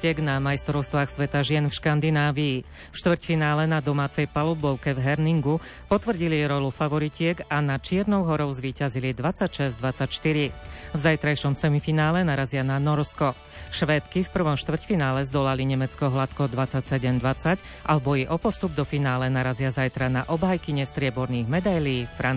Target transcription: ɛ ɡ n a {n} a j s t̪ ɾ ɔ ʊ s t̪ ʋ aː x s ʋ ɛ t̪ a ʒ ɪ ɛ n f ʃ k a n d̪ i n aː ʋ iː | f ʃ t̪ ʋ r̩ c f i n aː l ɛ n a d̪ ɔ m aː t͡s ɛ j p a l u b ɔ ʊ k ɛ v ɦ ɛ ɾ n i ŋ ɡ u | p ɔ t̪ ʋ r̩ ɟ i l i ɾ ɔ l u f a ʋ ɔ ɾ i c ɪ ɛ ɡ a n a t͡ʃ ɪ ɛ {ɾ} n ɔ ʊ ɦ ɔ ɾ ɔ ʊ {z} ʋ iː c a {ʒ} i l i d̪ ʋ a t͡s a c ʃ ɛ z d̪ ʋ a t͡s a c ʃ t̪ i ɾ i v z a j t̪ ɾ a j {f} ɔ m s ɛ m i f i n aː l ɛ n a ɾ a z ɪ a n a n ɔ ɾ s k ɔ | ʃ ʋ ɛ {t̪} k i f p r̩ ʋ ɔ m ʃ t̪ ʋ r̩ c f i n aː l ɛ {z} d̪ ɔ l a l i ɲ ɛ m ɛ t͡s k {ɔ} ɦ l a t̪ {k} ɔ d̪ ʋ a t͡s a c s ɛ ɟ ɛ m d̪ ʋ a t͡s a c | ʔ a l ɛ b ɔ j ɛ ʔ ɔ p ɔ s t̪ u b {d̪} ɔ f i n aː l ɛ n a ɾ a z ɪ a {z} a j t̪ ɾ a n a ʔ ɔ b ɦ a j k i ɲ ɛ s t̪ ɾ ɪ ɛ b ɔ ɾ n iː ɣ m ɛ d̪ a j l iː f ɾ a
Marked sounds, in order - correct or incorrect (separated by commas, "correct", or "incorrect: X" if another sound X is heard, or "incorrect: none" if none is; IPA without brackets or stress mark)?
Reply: incorrect: m, correct, correct, incorrect: z, incorrect: ʃ, correct, correct, correct, correct, correct, correct